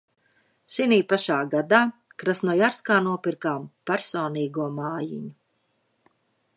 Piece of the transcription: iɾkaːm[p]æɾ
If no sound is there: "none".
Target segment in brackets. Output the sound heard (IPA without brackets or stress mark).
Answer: p